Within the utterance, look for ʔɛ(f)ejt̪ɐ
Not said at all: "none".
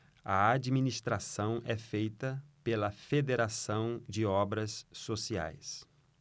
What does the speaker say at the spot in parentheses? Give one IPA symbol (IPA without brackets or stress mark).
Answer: f